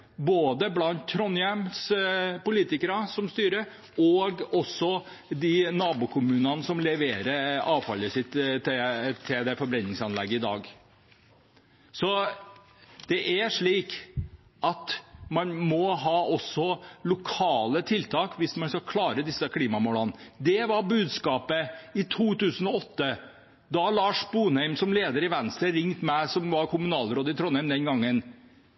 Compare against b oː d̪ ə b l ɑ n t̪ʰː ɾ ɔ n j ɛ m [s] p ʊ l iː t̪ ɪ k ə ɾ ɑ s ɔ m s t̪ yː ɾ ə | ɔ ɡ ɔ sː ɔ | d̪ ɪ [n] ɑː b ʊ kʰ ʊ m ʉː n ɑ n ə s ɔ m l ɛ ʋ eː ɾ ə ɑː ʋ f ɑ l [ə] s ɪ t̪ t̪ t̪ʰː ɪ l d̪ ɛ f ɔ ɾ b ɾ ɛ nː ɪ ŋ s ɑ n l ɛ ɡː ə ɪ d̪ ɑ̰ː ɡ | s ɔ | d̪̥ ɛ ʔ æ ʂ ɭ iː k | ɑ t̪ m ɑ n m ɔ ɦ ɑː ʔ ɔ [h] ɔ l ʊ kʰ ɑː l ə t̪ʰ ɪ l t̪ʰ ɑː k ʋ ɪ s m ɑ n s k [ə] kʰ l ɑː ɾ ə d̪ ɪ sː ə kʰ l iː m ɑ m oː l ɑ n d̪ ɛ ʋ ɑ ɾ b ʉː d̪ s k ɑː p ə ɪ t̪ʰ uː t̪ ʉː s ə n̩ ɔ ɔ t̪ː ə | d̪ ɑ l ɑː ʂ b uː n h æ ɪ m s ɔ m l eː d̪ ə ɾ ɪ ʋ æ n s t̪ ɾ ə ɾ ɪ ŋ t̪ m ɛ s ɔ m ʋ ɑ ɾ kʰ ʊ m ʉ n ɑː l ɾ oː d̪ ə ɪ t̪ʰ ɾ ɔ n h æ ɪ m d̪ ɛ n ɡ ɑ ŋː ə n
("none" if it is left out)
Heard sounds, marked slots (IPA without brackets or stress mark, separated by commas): s, n, ə, s, ɑ